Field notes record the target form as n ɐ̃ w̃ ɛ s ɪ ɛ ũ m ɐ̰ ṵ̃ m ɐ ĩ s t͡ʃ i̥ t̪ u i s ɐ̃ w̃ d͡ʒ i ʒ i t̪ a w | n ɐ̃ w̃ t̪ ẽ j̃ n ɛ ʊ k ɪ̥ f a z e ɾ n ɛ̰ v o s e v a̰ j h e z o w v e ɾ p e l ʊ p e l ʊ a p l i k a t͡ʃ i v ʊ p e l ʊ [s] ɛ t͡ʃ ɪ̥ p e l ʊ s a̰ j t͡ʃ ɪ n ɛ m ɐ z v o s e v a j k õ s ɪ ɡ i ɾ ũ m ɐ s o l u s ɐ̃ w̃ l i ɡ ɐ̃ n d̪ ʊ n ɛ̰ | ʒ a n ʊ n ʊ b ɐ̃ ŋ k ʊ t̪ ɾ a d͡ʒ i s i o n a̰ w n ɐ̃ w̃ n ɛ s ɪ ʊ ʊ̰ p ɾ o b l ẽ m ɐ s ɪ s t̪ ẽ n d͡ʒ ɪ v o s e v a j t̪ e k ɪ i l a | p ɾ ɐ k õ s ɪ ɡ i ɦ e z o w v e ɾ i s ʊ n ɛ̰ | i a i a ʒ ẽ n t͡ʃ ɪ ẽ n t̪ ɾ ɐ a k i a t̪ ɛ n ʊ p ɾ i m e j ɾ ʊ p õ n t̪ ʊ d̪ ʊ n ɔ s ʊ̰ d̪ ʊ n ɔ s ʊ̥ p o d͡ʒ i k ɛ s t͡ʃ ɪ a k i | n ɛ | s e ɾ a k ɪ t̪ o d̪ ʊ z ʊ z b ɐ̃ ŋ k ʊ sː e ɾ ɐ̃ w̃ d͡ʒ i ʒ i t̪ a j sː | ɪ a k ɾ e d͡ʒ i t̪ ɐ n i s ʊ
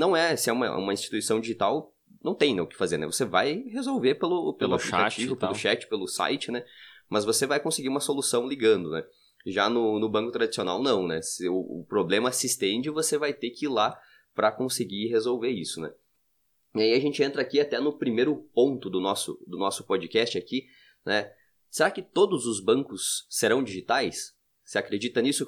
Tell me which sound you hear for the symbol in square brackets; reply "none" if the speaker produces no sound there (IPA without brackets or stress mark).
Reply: ʃ